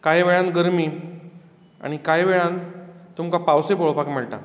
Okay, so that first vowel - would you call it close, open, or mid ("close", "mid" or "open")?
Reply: open